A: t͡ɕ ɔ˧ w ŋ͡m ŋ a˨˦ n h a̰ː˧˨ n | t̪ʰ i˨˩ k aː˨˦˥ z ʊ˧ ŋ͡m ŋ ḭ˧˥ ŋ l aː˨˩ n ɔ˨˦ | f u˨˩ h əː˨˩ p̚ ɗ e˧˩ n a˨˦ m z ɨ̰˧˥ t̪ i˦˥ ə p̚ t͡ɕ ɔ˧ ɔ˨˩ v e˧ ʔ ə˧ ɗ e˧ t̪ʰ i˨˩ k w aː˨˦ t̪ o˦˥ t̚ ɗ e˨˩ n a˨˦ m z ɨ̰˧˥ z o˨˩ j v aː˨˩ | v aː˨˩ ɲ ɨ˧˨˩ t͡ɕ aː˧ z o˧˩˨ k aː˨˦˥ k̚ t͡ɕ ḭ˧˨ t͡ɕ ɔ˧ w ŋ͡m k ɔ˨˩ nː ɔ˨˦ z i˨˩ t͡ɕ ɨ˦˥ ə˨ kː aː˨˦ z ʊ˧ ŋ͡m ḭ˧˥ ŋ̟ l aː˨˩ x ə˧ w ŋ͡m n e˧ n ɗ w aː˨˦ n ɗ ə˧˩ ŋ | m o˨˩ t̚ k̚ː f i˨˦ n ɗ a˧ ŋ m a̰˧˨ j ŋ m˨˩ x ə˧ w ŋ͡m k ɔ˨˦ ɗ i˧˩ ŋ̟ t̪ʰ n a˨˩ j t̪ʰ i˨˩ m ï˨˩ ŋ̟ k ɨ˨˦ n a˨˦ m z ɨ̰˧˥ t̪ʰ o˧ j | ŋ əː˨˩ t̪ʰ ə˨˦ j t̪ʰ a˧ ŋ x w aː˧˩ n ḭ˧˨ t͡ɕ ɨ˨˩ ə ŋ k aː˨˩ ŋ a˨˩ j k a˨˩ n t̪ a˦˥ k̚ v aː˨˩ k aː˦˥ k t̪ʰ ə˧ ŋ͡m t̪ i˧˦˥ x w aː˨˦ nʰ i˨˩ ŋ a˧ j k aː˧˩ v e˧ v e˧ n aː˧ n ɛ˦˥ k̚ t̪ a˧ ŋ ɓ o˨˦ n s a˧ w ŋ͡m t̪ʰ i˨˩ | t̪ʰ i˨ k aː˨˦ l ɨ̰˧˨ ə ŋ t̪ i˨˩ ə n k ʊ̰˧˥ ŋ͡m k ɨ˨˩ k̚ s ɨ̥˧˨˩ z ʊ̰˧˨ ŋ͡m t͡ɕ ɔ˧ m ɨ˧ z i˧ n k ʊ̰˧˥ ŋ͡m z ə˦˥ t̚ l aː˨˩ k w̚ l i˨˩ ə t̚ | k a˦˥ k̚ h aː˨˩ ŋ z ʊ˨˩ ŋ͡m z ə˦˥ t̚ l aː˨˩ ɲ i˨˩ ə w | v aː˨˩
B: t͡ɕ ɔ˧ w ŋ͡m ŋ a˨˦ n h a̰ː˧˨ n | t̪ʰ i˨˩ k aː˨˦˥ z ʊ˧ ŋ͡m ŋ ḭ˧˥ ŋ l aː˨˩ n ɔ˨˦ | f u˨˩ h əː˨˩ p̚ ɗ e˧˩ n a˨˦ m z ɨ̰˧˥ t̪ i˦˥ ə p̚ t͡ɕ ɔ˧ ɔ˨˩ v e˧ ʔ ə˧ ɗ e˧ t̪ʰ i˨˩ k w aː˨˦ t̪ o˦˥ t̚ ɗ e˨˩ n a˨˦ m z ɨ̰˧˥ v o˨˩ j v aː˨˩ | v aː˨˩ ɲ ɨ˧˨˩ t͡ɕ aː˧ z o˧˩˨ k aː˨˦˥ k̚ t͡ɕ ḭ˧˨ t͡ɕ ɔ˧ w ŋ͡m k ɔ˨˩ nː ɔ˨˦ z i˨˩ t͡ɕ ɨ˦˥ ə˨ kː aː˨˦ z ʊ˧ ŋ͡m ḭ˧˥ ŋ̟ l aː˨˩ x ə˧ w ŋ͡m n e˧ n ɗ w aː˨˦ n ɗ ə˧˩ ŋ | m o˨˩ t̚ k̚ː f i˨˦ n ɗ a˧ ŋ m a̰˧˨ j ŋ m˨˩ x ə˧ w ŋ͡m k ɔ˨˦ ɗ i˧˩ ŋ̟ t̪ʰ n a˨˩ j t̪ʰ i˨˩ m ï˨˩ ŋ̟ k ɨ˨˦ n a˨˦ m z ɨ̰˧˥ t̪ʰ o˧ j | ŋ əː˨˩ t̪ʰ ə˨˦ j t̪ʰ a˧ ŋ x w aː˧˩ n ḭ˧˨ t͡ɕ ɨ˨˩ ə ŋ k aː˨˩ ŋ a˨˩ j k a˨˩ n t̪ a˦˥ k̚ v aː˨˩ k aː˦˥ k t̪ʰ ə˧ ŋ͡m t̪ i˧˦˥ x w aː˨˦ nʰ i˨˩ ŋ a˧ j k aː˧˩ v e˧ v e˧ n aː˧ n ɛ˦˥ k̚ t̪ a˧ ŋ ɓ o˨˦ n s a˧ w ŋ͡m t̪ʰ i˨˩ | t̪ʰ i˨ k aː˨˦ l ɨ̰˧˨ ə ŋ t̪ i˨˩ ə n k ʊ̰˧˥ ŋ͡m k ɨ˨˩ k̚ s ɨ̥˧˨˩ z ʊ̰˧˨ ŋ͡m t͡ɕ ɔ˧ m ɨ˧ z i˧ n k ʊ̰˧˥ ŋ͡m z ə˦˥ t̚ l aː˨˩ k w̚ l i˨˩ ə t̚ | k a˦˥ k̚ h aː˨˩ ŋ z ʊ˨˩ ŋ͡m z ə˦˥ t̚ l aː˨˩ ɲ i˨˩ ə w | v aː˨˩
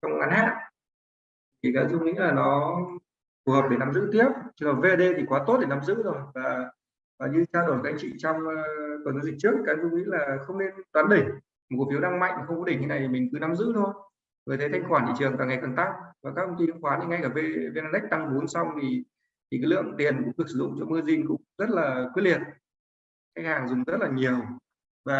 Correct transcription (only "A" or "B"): A